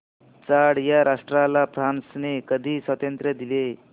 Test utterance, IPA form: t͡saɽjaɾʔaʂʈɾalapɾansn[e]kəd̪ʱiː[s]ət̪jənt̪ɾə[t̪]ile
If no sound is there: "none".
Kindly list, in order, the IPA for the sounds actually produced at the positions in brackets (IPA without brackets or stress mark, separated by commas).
e, s, d̪